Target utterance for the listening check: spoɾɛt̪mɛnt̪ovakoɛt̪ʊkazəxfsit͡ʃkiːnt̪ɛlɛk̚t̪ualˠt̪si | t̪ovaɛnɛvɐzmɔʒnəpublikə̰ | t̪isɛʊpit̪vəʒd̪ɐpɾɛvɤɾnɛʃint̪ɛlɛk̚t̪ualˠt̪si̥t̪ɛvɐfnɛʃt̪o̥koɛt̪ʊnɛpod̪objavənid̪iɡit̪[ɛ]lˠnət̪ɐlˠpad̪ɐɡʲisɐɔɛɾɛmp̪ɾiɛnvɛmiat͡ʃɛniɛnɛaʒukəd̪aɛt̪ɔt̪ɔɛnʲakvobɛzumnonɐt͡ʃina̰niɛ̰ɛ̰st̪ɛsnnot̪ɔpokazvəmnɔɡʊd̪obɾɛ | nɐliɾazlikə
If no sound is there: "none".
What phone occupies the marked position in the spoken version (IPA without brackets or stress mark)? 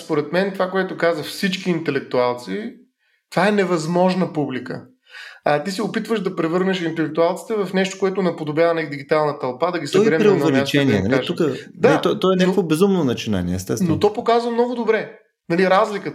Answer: a